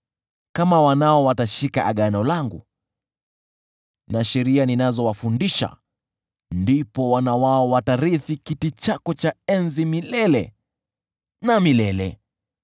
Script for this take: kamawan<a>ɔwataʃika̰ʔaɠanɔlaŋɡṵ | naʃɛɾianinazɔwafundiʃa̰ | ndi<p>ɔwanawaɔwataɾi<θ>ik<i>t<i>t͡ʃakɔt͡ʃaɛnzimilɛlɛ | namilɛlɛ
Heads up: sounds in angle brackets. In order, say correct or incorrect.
correct, correct, correct, correct, correct

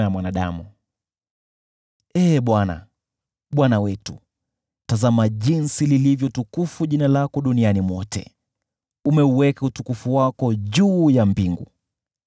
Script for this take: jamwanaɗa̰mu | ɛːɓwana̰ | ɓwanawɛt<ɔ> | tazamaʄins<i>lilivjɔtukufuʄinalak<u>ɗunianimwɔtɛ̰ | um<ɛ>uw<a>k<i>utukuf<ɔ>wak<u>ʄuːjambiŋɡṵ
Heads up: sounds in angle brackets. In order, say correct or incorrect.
incorrect: u, correct, incorrect: ɔ, correct, incorrect: ɛ, incorrect: a, incorrect: u, incorrect: ɔ

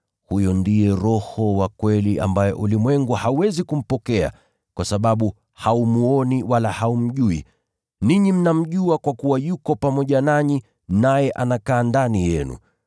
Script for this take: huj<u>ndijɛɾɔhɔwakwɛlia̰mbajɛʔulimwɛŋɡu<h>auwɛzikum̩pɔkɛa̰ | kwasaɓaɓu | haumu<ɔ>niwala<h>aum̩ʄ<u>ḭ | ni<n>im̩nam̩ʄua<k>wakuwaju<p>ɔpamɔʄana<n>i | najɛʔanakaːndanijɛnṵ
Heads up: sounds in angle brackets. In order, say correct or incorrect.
incorrect: ɔ, correct, correct, correct, correct, incorrect: ɲ, correct, incorrect: k, incorrect: ɲ

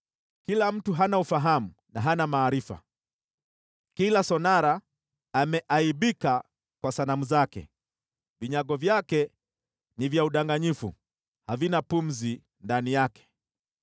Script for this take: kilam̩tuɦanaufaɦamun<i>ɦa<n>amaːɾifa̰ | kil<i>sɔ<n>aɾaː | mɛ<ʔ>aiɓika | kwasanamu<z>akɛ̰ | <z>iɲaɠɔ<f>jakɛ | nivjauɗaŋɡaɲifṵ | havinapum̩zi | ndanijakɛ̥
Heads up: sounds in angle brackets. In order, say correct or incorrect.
incorrect: a, correct, incorrect: a, correct, correct, correct, incorrect: v, incorrect: v

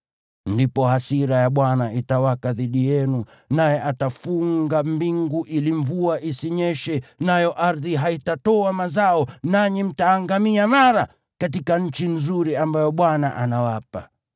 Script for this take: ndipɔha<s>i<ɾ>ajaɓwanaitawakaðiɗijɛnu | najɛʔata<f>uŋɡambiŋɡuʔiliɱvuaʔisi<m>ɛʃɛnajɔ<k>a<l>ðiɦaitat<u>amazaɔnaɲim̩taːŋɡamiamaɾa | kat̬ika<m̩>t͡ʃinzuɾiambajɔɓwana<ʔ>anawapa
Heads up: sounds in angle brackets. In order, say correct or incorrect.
correct, correct, correct, incorrect: ɲ, incorrect: ʔ, incorrect: ɾ, incorrect: ɔ, incorrect: ɲ̩, correct

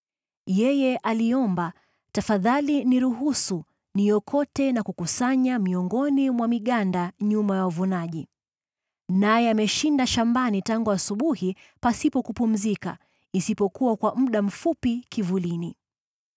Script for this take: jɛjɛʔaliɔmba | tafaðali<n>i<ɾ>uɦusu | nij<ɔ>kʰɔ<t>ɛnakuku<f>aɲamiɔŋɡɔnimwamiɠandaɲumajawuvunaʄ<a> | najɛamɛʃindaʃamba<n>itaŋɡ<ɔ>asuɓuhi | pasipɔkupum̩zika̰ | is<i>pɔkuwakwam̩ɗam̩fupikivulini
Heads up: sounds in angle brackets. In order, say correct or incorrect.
correct, correct, correct, correct, incorrect: s, incorrect: i, correct, incorrect: u, correct

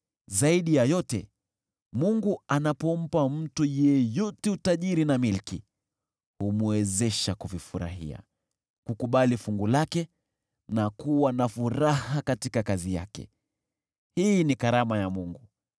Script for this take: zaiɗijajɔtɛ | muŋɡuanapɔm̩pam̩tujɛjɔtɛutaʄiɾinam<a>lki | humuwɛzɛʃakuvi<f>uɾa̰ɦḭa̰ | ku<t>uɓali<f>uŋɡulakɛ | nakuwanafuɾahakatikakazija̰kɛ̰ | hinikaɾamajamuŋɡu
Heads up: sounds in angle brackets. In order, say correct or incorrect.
incorrect: i, correct, incorrect: k, correct

